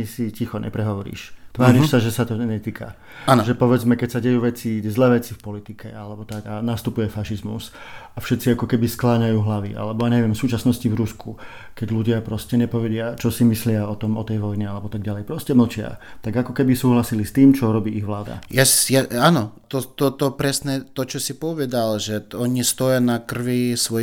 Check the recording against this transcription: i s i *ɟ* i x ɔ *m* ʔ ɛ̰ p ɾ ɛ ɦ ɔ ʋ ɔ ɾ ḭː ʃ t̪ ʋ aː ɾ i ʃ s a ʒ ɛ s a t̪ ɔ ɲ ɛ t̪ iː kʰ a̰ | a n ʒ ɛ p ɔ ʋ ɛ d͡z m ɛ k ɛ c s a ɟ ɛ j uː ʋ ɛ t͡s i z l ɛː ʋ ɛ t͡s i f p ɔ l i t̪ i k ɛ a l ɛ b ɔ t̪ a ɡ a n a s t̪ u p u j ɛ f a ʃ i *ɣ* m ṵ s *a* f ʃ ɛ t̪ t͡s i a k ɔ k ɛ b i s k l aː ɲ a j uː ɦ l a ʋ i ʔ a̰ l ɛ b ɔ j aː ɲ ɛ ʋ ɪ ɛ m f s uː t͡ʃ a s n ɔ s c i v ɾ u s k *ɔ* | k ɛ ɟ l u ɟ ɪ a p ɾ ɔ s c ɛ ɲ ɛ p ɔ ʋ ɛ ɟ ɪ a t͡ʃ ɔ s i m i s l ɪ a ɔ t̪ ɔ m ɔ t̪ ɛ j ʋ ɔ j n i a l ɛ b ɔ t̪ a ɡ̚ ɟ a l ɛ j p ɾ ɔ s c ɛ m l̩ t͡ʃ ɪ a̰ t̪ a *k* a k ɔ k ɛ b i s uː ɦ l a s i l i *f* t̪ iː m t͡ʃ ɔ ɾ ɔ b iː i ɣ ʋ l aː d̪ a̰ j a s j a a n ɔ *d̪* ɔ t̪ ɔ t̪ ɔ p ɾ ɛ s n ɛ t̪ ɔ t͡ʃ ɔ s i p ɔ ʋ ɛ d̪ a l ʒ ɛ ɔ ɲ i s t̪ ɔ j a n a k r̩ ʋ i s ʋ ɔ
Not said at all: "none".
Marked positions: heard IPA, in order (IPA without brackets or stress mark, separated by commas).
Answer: c, ɲ, z, a, u, ɡ, s, t̪